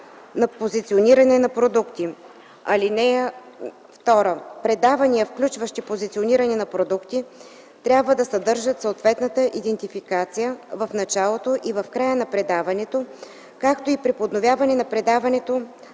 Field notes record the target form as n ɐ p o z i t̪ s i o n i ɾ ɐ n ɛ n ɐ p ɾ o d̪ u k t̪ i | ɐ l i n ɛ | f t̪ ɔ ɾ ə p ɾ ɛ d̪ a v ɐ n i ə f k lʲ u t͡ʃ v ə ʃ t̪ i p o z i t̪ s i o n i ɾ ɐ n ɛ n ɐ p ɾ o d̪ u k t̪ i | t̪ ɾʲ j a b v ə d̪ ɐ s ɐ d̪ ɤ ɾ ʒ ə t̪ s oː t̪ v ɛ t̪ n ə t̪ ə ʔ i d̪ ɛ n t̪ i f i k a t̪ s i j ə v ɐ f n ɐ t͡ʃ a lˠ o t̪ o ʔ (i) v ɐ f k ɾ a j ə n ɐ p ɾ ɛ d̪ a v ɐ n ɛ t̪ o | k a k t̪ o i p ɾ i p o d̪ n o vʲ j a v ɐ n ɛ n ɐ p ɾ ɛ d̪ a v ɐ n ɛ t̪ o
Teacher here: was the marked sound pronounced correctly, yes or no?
yes